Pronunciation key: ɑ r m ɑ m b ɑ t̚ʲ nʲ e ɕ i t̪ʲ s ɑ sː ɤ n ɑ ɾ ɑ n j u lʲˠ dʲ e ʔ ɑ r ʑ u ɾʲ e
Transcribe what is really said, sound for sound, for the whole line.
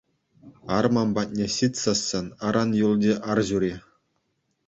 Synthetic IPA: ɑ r m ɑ m b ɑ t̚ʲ nʲ e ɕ i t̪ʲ s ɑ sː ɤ n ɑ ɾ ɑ n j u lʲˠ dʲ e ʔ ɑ r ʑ u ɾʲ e